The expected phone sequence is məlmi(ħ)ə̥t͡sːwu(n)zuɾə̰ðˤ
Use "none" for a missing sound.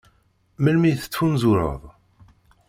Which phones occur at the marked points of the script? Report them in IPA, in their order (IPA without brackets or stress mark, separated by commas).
θ, n